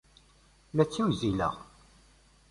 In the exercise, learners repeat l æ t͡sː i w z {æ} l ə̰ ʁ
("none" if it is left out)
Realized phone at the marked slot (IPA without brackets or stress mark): i